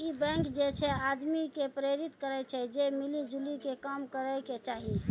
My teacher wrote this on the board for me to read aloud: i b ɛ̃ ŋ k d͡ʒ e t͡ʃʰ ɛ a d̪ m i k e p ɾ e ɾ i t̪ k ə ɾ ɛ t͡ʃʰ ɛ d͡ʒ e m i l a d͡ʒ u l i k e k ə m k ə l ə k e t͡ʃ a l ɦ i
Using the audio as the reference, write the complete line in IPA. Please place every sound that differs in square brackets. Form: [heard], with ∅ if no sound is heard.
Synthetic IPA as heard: i b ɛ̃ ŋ k d͡ʒ e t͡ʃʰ ɛ a d̪ m i k e p ɾ e ɾ i t̪ k ə ɾ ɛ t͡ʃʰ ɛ d͡ʒ e m i l [i] d͡ʒ u l i k e k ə m k ə [ɾ] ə k e t͡ʃ a [∅] ɦ i